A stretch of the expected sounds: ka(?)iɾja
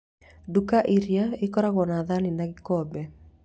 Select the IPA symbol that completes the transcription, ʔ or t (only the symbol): ʔ